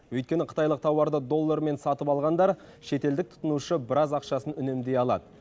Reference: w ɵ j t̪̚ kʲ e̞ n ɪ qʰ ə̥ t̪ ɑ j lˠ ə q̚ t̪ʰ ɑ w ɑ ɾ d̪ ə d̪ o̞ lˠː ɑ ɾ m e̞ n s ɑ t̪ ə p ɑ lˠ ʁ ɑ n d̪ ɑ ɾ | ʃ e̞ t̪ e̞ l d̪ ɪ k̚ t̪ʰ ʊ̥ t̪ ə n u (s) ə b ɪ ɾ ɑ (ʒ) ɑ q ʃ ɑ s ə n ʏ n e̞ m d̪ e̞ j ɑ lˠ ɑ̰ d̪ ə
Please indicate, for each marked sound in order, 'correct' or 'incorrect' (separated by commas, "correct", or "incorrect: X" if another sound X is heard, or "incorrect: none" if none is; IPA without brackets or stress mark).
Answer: incorrect: ʃ, incorrect: z